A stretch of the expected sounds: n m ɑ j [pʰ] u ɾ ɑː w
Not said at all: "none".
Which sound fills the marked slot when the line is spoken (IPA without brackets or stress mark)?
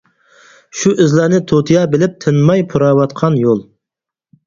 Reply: pʰ